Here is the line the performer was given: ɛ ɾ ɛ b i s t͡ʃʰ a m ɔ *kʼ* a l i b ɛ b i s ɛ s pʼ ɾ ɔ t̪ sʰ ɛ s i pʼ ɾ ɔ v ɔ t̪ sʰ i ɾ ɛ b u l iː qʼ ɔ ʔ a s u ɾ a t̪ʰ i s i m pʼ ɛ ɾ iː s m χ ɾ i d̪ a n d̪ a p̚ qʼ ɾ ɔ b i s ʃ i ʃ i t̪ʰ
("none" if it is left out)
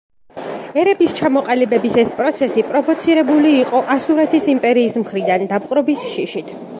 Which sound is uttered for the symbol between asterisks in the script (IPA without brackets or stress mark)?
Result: qʼ